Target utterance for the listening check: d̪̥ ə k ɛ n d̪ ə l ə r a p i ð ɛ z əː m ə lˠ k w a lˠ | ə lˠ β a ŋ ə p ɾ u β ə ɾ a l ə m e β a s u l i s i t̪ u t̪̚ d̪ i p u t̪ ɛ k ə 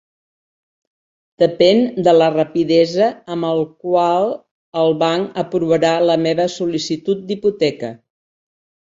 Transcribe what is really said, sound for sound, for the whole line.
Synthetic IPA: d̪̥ ə p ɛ n d̪ ə l ə r ə p i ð ɛ z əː m ə lˠ k w a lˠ | ə lˠ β a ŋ ə p ɾ u β ə ɾ a l ə m e β ə s u l i s i t̪ u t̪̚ d̪ i p u t̪ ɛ k ə